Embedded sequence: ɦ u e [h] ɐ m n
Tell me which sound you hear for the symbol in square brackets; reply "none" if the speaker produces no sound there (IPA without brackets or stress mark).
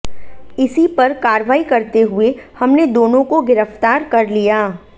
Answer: h